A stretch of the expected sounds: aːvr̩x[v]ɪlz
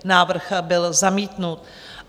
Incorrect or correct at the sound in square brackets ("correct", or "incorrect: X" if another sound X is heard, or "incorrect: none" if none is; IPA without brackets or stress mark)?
incorrect: b